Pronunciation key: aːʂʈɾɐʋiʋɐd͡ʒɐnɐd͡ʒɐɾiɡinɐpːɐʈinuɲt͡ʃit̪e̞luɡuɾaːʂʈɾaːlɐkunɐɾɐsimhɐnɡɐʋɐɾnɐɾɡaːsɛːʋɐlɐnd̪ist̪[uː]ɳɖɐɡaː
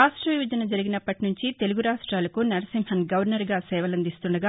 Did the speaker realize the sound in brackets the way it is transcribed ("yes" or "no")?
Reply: no